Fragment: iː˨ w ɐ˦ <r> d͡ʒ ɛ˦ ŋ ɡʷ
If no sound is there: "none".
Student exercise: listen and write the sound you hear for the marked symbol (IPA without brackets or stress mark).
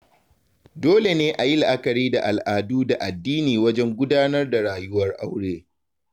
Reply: none